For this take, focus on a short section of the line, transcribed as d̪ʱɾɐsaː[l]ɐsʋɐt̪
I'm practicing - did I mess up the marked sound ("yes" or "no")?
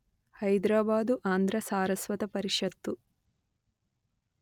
yes